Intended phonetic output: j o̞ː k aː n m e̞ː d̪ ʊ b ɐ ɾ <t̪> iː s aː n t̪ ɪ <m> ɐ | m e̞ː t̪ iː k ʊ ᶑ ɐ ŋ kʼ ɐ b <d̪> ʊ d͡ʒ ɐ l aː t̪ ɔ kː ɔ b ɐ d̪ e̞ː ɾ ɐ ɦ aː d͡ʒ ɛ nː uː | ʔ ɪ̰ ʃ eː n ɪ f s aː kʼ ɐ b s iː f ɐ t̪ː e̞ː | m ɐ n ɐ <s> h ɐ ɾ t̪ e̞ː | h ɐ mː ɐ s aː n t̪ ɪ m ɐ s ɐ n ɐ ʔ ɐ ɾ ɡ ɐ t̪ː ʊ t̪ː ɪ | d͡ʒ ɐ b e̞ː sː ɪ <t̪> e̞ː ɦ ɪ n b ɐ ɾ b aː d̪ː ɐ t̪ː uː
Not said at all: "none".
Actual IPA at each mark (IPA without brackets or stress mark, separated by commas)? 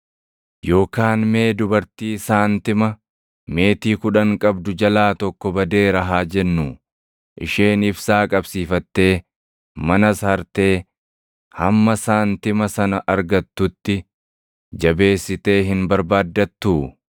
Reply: t̪, m, d̪, s, t̪